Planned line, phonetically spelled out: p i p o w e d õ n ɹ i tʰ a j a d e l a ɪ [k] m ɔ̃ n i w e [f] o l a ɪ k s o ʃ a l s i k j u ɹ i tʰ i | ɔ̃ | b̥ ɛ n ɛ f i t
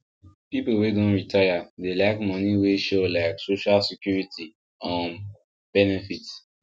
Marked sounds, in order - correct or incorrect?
correct, incorrect: ʃ

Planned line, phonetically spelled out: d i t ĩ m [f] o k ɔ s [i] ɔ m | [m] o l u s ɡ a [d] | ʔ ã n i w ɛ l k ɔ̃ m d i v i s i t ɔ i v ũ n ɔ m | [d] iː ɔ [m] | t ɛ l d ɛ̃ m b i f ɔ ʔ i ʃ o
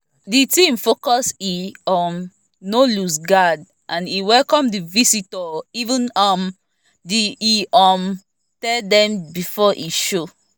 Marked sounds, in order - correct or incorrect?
correct, correct, incorrect: n, correct, correct, correct

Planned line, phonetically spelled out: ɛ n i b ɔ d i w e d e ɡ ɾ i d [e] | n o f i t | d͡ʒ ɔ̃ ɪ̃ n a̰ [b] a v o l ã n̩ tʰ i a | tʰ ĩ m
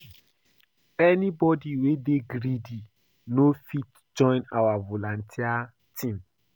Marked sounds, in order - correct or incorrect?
incorrect: i, incorrect: w

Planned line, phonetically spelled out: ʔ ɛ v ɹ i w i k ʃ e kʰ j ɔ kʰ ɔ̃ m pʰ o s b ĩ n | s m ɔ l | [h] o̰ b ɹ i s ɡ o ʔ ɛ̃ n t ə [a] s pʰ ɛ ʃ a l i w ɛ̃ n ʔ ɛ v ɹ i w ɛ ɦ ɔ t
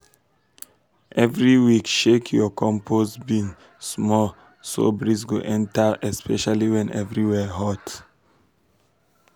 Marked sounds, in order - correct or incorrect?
incorrect: s, incorrect: ɛ

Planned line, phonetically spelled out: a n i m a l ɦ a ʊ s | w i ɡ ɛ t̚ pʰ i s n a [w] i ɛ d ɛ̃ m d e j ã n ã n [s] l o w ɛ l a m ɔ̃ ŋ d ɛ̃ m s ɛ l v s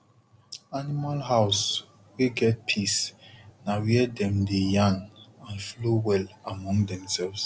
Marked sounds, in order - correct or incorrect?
correct, incorrect: f

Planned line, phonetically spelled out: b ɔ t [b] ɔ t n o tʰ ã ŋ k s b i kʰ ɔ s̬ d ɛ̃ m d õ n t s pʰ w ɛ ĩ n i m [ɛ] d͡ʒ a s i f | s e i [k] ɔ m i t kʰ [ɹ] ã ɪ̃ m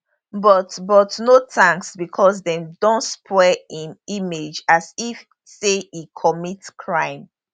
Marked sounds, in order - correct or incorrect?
correct, incorrect: e, incorrect: kʰ, correct

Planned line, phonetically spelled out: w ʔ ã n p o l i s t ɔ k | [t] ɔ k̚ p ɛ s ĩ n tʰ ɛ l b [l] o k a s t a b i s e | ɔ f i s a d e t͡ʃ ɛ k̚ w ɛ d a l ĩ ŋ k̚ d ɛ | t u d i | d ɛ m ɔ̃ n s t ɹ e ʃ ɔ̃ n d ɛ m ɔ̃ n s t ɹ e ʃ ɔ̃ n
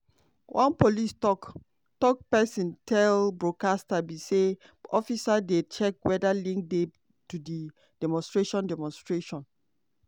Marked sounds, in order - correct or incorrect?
correct, incorrect: ɹ

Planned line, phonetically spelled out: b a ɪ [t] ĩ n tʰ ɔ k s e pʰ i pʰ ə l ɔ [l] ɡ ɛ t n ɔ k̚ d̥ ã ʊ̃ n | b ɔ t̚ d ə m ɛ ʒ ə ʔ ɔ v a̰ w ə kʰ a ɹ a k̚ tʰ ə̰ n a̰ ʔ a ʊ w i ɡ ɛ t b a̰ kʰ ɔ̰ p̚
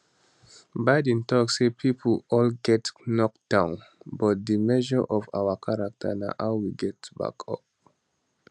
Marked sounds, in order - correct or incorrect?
incorrect: d, correct

